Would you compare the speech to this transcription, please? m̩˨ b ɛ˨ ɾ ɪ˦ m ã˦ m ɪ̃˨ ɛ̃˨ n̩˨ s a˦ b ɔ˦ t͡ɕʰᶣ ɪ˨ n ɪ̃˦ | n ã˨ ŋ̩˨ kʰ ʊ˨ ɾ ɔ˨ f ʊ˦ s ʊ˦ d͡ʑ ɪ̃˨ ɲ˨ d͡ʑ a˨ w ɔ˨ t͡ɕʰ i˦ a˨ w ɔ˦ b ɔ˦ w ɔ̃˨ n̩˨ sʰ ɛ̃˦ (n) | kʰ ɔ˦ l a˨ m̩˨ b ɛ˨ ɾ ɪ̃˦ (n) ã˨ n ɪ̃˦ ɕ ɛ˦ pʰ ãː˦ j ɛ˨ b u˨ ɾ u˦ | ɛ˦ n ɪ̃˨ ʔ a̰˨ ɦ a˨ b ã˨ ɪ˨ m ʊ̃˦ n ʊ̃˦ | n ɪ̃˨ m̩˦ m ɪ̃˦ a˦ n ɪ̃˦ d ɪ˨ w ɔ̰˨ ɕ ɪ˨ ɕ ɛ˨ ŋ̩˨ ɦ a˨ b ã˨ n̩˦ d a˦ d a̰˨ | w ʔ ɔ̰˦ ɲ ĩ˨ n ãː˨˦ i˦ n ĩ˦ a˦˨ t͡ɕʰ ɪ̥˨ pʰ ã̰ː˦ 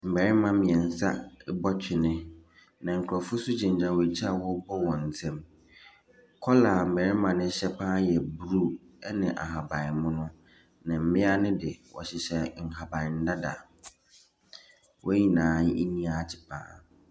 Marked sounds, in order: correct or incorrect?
incorrect, incorrect

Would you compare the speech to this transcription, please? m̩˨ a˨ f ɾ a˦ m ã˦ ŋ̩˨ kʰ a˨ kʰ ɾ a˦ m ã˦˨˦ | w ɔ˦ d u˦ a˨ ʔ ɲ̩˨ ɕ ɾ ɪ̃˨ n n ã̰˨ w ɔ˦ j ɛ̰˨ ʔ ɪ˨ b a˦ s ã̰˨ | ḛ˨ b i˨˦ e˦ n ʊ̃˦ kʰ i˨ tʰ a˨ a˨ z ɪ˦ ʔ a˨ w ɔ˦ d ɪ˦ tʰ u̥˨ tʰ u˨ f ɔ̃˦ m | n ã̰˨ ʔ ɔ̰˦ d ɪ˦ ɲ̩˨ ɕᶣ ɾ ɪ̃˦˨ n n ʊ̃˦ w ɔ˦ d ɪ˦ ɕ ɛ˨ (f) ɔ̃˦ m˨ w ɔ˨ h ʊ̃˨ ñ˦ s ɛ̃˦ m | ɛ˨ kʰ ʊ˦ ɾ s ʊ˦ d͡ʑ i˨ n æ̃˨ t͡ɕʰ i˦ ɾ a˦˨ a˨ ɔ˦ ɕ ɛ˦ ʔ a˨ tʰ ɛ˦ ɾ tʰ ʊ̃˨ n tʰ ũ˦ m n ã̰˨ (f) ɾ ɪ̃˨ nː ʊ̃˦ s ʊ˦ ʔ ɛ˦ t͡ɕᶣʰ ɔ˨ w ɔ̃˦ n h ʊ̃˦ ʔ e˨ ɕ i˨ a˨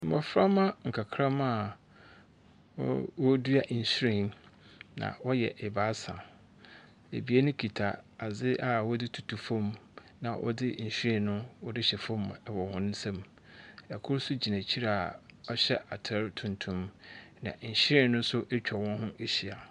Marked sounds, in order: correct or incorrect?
correct, incorrect

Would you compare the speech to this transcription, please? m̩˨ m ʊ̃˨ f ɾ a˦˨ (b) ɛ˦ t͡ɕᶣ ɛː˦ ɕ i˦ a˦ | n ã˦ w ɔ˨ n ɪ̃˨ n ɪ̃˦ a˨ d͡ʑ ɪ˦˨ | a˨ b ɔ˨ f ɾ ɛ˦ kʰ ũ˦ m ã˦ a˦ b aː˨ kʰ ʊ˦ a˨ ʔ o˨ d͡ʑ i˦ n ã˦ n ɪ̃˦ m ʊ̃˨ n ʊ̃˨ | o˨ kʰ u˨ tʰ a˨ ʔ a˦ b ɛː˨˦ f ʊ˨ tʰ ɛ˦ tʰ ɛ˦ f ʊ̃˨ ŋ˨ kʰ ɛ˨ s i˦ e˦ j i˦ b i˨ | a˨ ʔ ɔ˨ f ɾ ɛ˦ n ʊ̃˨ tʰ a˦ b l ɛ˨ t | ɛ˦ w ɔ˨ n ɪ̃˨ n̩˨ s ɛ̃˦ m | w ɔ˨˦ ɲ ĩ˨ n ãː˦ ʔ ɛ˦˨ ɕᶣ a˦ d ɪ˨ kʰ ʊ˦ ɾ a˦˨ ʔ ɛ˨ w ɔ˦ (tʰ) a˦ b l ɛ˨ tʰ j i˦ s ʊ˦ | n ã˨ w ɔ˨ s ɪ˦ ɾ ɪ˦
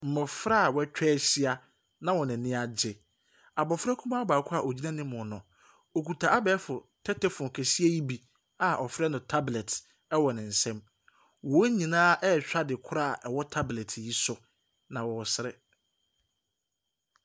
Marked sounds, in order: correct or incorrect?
incorrect, correct

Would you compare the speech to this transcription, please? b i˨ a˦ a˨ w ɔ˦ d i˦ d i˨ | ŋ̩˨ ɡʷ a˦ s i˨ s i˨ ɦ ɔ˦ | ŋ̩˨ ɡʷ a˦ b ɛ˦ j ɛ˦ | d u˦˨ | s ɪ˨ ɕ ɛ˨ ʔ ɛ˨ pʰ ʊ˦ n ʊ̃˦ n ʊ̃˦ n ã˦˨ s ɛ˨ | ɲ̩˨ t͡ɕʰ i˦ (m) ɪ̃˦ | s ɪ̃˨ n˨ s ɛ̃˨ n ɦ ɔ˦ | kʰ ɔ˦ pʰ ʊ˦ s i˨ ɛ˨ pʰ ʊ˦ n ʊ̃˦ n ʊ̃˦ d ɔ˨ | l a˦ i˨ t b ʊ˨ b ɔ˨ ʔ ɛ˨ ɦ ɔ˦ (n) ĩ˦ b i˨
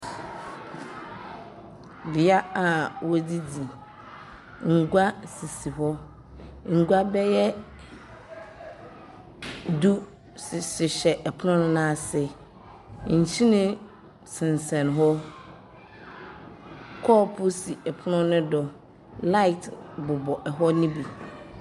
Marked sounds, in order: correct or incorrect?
incorrect, correct

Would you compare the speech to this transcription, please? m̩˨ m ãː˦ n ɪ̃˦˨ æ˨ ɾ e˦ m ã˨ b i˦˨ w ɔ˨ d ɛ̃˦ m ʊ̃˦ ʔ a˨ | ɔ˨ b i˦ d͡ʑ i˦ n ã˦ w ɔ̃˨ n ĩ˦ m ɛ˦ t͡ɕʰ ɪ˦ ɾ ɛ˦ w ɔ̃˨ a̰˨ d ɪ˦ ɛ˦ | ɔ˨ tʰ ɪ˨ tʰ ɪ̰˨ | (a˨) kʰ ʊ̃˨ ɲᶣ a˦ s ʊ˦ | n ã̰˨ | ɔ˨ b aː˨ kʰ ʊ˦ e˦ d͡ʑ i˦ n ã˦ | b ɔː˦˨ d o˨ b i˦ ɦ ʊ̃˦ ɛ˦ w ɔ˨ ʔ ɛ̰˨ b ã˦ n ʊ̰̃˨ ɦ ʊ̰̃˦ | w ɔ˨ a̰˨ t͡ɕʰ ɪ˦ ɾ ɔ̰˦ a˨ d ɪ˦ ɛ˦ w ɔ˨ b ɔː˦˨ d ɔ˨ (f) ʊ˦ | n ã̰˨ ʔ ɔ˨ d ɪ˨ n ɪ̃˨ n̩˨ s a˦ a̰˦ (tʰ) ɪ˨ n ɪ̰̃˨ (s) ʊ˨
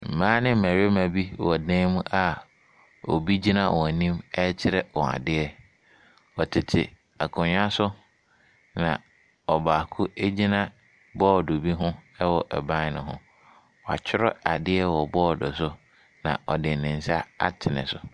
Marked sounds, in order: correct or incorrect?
correct, incorrect, correct, correct

